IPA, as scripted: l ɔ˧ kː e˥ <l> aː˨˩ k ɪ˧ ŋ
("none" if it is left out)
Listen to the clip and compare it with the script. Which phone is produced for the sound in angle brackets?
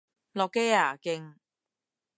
none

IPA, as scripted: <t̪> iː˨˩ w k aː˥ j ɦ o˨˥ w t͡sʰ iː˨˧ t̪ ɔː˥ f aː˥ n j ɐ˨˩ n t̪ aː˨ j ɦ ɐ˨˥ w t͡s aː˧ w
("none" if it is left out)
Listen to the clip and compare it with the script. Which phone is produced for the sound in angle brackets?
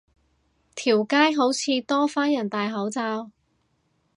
t̪ʰ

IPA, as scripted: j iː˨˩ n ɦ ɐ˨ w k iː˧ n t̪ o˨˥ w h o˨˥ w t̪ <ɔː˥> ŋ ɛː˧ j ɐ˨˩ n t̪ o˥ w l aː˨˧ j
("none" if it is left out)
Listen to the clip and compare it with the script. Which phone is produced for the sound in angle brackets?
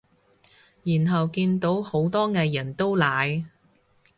ɔː˥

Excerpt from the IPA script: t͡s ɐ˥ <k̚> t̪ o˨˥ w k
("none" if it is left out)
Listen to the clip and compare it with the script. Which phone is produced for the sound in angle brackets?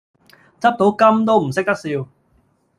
p̚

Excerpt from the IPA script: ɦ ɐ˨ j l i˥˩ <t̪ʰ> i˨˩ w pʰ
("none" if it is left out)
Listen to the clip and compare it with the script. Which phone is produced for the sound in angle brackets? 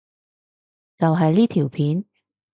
t̪ʰ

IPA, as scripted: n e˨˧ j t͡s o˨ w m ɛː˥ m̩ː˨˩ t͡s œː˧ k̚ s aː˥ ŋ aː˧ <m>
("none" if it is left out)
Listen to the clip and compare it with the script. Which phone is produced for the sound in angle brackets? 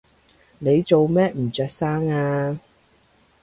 none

